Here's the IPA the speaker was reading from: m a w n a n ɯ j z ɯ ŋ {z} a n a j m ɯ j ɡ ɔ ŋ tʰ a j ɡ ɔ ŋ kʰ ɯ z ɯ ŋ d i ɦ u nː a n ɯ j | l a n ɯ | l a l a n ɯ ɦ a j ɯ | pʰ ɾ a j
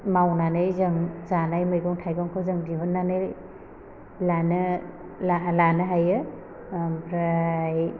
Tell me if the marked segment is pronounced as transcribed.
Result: yes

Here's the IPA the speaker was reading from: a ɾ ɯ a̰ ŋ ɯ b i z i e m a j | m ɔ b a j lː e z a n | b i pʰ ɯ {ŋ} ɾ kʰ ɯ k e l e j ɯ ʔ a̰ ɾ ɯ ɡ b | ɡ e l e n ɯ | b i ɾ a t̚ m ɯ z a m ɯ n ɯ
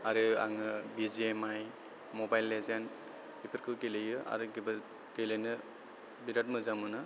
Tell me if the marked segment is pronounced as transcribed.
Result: no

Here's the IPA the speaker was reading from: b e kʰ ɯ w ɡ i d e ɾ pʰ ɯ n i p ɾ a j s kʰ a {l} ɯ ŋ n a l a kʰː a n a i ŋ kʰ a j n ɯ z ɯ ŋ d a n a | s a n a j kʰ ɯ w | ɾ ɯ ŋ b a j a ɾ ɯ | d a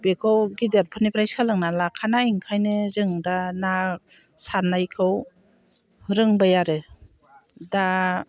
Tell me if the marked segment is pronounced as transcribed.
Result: yes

